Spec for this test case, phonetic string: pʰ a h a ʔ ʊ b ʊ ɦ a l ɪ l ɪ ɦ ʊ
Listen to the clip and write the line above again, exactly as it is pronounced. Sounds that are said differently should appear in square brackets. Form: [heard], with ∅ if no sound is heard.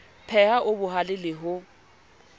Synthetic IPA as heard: pʰ [ɛ] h a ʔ ʊ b ʊ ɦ a l ɪ l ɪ ɦ ʊ